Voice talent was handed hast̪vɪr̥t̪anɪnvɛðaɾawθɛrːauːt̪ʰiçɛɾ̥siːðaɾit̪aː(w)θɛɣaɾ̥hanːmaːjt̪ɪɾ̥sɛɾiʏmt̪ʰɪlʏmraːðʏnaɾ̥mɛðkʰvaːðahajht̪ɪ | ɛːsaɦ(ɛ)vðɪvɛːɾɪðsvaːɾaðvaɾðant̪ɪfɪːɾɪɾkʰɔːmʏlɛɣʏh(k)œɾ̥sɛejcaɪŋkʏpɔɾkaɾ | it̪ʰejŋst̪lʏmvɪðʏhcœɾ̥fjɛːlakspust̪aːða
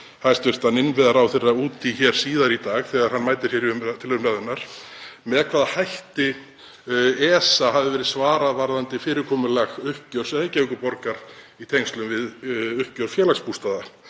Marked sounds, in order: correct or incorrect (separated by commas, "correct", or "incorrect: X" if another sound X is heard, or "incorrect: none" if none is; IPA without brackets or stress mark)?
incorrect: ɣ, incorrect: a, incorrect: c